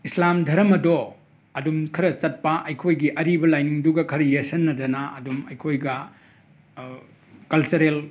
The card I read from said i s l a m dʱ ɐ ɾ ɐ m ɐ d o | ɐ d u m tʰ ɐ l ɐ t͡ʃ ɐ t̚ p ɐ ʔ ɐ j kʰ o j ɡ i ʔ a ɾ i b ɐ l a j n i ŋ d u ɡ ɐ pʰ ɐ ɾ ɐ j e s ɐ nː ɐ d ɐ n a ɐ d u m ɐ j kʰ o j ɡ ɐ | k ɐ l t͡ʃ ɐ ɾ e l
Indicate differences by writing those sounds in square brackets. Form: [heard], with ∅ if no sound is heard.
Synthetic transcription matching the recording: i s l a m dʱ ɐ ɾ ɐ m ɐ d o | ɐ d u m [kʰ] ɐ [ɾ] ɐ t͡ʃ ɐ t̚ p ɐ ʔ ɐ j kʰ o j ɡ i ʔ [ɐ] ɾ i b ɐ l a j n i ŋ d u ɡ ɐ [kʰ] ɐ ɾ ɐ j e s ɐ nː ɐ d ɐ n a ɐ d u m ɐ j kʰ o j ɡ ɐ | k ɐ l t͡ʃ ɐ ɾ e l